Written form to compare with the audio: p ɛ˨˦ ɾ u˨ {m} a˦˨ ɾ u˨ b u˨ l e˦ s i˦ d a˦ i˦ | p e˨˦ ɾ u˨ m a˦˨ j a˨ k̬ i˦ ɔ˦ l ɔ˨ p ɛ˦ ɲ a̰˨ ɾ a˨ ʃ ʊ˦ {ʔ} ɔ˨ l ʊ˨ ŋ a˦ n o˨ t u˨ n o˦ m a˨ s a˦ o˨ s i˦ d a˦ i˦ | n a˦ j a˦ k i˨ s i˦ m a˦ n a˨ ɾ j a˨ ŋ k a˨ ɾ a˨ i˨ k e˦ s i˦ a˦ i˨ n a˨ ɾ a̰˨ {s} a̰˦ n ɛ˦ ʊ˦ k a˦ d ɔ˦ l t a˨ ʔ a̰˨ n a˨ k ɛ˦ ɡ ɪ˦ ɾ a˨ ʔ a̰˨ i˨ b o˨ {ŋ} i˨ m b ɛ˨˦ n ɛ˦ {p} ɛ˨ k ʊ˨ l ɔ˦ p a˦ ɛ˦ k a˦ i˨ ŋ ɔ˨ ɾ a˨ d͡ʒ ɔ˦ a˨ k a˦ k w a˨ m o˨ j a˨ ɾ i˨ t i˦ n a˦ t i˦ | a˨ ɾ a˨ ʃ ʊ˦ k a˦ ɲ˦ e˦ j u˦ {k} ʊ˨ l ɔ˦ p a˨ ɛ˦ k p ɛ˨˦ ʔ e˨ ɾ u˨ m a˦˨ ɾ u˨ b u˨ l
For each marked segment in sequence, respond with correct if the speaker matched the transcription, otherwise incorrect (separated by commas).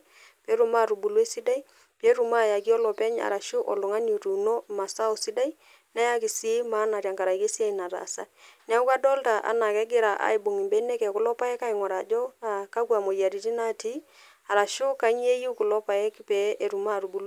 correct, correct, correct, correct, incorrect, correct